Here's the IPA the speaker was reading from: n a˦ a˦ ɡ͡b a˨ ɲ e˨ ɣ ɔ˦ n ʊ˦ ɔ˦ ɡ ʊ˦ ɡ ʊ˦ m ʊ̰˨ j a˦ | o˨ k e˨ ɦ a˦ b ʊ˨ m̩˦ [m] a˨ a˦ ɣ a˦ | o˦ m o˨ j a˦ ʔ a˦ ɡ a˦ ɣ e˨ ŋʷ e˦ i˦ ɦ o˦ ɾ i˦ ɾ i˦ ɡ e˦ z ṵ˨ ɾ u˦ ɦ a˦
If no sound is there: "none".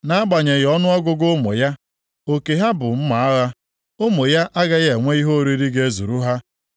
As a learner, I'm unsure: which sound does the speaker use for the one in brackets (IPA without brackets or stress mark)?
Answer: m